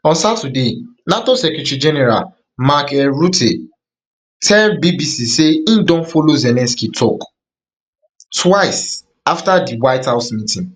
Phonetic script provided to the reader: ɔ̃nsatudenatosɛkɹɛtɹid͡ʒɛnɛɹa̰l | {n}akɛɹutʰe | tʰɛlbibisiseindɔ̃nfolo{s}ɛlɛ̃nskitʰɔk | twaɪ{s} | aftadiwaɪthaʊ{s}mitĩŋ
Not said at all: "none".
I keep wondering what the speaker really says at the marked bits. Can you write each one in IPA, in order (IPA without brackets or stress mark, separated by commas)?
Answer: m, z, s, s